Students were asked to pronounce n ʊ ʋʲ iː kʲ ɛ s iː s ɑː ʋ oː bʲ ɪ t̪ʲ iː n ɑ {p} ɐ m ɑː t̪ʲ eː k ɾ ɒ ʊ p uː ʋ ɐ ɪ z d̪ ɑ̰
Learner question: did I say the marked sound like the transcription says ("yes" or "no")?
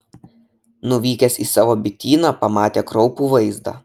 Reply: yes